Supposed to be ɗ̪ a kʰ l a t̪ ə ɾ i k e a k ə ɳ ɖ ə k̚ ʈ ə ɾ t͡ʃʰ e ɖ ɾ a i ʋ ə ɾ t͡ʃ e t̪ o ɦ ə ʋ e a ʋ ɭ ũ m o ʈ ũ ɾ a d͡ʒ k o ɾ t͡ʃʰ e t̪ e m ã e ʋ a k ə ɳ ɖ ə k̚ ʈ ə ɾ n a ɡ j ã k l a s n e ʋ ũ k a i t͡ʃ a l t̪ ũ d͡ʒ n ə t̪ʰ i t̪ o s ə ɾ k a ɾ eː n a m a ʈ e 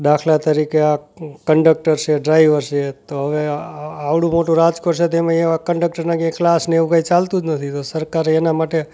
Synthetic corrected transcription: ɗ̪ a kʰ l a t̪ ə ɾ i k e a k ə ɳ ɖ ə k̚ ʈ ə ɾ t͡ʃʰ e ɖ ɾ a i ʋ ə ɾ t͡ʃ e t̪ o ɦ ə ʋ e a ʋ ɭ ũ m o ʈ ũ ɾ a d͡ʒ k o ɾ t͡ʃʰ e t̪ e m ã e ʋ a k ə ɳ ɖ ə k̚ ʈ ə ɾ n a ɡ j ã k l a s n e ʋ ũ k a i t͡ʃ a l t̪ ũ d͡ʒ n ə t̪ʰ i t̪ o s ə ɾ k a ɾ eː n a m a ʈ e

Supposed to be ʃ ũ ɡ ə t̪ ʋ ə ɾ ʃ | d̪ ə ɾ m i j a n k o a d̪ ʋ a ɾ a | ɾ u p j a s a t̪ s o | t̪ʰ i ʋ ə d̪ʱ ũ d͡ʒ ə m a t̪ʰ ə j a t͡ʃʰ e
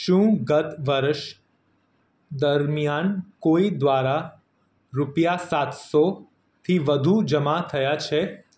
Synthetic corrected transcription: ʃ ũ ɡ ə t̪ ʋ ə ɾ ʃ | d̪ ə ɾ m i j a n k o i d̪ ʋ a ɾ a | ɾ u p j a s a t̪ s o | t̪ʰ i ʋ ə d̪ʱ u d͡ʒ ə m a t̪ʰ ə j a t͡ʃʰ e

